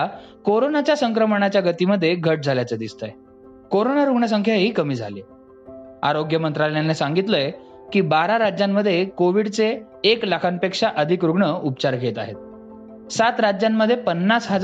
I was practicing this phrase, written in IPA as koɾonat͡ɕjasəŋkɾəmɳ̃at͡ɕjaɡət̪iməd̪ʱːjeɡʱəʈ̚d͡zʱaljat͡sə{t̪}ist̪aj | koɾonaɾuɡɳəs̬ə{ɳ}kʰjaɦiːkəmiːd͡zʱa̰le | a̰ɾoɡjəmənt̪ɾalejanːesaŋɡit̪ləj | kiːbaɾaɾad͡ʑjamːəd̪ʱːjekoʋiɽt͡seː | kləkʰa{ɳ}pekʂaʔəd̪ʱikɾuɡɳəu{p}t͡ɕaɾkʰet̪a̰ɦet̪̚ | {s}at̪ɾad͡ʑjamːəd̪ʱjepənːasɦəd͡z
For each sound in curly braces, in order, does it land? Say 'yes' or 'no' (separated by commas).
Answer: no, no, no, yes, yes